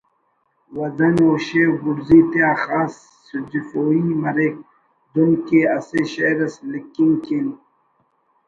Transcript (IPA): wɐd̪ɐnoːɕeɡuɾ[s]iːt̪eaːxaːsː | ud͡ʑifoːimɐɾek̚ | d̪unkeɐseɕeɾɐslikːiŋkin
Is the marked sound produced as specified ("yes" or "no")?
no